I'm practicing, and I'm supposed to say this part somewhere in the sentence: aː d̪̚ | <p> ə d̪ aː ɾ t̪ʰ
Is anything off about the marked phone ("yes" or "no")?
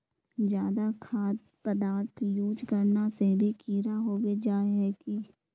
no